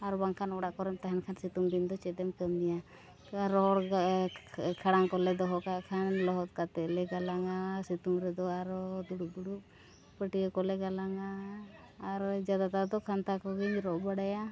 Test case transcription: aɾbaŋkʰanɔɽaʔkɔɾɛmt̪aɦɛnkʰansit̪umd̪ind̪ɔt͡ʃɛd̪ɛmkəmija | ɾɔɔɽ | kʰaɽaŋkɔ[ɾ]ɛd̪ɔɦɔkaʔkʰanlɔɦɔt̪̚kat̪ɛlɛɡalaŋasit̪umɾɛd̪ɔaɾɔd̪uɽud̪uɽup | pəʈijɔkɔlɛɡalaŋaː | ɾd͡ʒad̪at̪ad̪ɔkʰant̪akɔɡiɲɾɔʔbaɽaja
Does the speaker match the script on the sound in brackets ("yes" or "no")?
no